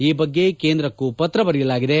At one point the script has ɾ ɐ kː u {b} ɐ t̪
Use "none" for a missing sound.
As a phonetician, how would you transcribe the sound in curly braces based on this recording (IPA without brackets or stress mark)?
p